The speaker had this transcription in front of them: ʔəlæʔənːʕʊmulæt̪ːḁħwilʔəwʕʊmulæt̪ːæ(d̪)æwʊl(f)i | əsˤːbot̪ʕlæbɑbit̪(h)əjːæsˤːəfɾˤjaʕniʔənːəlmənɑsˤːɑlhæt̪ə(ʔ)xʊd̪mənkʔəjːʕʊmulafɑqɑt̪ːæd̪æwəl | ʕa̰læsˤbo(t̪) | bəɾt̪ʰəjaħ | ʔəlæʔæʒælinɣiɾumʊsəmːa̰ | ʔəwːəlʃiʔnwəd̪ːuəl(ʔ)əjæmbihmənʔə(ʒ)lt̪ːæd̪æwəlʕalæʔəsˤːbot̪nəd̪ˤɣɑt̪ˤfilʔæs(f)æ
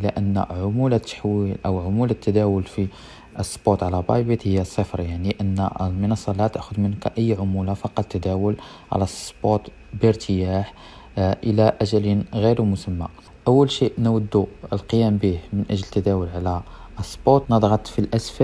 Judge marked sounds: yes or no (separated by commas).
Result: yes, yes, yes, yes, yes, no, yes, yes